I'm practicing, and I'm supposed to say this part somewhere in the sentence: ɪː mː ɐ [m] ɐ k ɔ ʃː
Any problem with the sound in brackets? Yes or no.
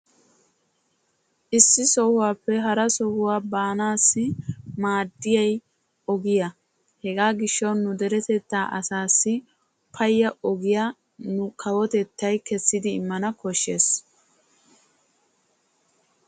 yes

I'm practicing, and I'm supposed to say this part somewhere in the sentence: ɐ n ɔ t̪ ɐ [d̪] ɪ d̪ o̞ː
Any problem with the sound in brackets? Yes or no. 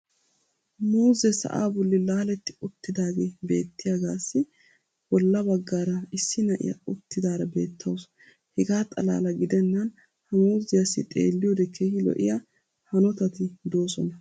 yes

